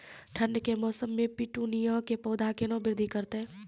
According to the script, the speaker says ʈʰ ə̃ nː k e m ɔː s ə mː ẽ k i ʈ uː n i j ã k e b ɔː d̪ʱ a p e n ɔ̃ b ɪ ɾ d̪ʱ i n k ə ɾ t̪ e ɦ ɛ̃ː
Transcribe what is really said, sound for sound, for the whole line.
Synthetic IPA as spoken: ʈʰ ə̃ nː k e m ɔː s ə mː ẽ p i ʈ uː n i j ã k e p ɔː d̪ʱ a k e n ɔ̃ b ɪ ɾ d̪ʱ i k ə ɾ t̪ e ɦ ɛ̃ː